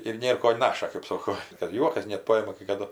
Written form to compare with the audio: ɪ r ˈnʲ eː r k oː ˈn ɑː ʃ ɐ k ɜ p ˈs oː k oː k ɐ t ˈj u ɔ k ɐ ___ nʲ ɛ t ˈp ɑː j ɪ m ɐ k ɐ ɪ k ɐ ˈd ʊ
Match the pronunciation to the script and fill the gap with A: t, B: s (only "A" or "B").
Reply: B